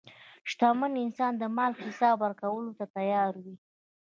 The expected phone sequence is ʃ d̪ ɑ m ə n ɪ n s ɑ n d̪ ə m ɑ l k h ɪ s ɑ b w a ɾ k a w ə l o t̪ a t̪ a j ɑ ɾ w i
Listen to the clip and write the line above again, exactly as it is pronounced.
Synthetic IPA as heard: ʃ t̪ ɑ m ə n ɪ n s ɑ n d̪ ə m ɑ l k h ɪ s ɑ b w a ɾ k a w ə l o t̪ a t̪ a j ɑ ɾ w i